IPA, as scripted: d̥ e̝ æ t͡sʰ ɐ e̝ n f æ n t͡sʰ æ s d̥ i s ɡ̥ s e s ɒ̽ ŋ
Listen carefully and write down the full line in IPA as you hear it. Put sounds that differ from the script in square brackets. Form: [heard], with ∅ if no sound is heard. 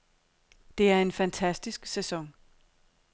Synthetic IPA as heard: d̥ e̝ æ [∅] ɐ e̝ n f æ n t͡sʰ æ s d̥ i s ɡ̥ s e s ɒ̽ ŋ